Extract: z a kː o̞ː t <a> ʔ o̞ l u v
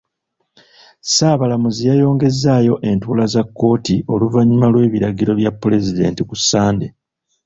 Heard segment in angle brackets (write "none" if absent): i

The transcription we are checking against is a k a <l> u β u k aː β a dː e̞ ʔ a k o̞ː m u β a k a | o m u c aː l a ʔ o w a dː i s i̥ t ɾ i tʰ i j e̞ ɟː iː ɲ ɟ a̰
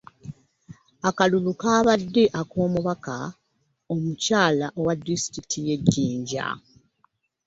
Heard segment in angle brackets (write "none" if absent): l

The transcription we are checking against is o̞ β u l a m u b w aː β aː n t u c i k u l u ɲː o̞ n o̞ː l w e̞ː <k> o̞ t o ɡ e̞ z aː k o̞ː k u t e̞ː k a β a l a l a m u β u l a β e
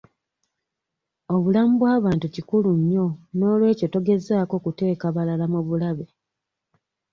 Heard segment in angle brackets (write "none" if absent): c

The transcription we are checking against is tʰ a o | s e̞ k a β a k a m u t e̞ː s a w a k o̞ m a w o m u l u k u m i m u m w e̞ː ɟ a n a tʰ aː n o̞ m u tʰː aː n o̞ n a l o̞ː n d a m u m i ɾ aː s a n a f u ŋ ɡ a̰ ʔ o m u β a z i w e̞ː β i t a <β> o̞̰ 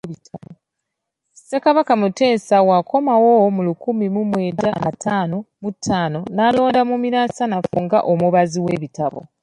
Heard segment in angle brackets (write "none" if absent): β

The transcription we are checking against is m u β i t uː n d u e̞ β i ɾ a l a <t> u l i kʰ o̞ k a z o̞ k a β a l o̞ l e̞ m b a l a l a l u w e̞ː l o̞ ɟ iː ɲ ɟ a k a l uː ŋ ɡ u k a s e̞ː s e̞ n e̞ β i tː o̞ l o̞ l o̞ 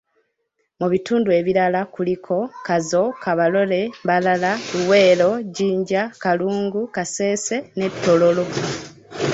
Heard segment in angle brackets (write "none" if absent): k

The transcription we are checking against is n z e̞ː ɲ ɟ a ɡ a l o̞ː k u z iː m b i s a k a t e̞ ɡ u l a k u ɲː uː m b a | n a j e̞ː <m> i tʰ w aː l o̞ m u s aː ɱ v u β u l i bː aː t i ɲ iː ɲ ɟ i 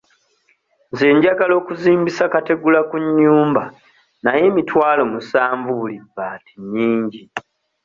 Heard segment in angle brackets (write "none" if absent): m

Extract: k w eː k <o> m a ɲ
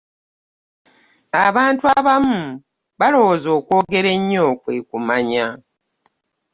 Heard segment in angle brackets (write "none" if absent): u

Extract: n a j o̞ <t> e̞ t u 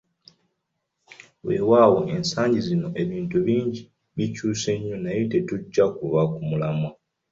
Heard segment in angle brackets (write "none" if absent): t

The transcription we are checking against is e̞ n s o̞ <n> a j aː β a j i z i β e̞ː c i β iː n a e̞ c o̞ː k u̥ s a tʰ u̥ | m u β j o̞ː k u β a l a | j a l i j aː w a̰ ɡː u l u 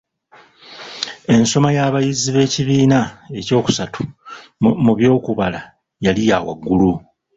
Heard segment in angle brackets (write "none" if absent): m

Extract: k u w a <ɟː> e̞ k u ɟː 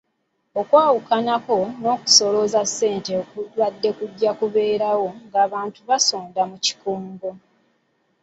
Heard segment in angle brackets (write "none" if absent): dː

